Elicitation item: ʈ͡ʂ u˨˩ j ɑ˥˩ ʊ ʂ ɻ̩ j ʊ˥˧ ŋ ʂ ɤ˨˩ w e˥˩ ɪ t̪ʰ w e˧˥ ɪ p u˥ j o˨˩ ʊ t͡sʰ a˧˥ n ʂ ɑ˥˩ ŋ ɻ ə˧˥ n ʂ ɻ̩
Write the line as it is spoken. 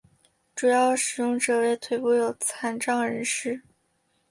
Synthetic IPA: ʈ͡ʂ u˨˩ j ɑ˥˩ ʊ ʂ ɻ̩ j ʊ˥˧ ŋ ʈ͡ʂ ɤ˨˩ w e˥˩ ɪ t̪ʰ w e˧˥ ɪ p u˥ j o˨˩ ʊ t͡sʰ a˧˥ n ʈ͡ʂ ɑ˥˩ ŋ ɻ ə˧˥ n ʂ ɻ̩